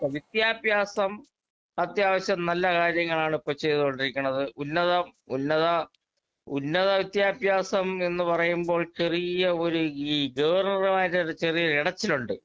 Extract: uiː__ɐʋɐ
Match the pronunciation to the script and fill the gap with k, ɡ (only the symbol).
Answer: ɡ